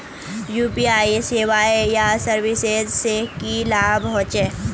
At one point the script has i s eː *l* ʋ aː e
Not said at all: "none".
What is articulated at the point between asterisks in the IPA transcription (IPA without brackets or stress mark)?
none